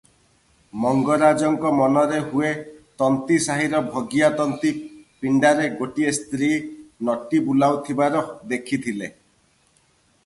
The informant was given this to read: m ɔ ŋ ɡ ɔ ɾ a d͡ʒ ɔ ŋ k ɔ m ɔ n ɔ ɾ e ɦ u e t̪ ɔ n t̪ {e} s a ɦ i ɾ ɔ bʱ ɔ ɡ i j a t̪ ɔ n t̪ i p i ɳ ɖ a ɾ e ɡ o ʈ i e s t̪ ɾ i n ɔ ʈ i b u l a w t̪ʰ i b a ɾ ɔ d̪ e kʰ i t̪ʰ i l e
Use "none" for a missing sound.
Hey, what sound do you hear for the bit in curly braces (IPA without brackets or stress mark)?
i